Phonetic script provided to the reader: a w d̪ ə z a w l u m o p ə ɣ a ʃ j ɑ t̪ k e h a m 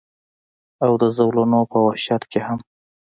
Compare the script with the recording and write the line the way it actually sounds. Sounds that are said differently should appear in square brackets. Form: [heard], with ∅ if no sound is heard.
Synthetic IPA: a w d̪ ə z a w l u [n] o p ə [w] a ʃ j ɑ t̪ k e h a m